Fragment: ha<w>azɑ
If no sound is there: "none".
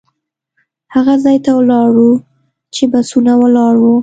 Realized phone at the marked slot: ɣ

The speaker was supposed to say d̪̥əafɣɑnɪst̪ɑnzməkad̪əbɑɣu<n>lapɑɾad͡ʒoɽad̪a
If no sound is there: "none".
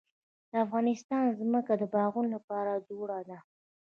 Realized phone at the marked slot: n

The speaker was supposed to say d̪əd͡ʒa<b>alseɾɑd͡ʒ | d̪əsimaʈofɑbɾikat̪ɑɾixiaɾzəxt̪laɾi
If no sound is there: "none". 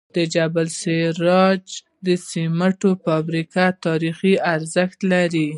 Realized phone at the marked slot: b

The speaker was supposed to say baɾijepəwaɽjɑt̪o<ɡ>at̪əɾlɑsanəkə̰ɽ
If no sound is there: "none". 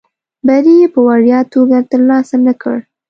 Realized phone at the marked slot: ɡ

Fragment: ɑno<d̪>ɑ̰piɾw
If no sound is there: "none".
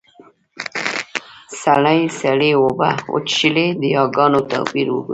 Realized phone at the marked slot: t̪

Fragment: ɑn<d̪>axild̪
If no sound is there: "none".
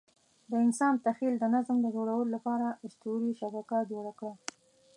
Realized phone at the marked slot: t̪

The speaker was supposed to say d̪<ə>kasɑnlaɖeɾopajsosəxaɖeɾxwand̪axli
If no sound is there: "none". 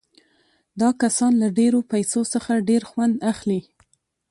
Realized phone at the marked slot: ɑ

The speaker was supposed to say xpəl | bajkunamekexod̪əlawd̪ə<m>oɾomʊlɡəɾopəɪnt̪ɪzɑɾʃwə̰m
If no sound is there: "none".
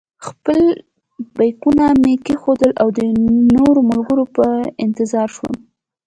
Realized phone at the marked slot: n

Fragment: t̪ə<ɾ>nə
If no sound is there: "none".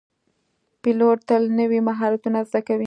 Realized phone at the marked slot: l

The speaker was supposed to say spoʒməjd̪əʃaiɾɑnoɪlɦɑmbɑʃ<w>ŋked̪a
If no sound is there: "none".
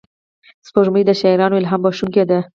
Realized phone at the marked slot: u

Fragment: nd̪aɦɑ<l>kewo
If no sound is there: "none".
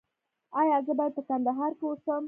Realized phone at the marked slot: ɾ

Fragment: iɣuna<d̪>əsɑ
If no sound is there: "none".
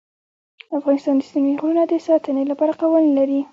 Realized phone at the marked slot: d̪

